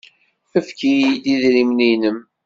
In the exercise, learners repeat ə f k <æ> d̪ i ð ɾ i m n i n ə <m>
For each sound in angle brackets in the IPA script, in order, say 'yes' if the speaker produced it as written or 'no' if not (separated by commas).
no, yes